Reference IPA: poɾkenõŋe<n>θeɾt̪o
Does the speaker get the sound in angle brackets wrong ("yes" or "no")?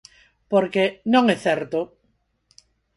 yes